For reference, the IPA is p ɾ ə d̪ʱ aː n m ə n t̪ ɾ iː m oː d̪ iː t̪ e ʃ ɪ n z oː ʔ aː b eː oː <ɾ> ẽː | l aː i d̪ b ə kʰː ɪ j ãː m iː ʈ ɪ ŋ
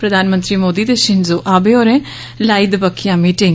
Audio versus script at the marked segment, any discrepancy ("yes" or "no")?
no